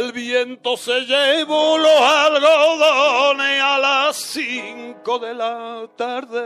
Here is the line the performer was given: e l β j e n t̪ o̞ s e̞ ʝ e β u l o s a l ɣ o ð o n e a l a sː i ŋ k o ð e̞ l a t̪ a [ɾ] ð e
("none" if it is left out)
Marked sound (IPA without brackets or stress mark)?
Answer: ɾ